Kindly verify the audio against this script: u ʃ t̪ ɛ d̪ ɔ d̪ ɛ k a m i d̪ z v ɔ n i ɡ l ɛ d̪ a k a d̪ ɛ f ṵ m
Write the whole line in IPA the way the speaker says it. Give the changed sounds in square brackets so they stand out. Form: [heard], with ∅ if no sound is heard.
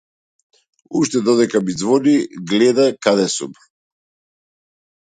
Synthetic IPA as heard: u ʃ t̪ ɛ d̪ ɔ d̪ ɛ k a m i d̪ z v ɔ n i ɡ l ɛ d̪ a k a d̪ ɛ [s] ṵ m